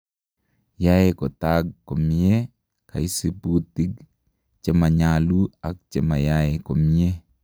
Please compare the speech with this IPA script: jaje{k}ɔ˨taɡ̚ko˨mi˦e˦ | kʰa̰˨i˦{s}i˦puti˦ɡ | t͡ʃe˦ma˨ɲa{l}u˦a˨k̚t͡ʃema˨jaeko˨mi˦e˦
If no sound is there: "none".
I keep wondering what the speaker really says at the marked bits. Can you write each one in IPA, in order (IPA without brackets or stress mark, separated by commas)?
k, s, l